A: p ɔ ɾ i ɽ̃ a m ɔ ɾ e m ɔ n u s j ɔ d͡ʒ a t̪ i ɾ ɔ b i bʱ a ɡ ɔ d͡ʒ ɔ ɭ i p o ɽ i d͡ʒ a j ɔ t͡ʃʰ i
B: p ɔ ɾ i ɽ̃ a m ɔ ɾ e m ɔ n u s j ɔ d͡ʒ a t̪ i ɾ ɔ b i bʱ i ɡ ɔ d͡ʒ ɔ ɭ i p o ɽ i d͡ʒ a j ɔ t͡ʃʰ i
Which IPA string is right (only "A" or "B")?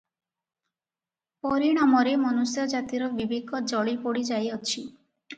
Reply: B